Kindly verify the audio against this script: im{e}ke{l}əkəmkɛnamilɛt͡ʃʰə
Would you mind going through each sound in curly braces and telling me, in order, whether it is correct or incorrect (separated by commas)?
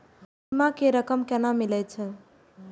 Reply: incorrect, incorrect